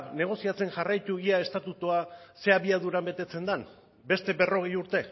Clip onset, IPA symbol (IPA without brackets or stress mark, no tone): n